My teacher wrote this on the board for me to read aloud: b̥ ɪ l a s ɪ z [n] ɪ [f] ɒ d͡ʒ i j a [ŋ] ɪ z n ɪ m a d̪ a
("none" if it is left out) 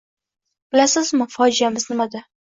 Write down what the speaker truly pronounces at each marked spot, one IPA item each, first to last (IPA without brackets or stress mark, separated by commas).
m, f, m